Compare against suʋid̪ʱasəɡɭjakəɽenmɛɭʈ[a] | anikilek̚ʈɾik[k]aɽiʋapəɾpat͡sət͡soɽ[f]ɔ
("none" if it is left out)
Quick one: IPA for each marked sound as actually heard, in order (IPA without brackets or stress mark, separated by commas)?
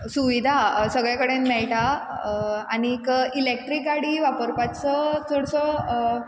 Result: a, ɡ, s